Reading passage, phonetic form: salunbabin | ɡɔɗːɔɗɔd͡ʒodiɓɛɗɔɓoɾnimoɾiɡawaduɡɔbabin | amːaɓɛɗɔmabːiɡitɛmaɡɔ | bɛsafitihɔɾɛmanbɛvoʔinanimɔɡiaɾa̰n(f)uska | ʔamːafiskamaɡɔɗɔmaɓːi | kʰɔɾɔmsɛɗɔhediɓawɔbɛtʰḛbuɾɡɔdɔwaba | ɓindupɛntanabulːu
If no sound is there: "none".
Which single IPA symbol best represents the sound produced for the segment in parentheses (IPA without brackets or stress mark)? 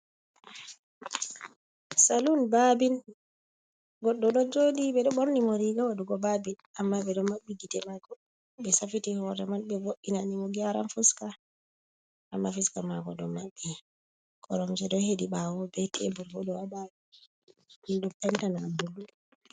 f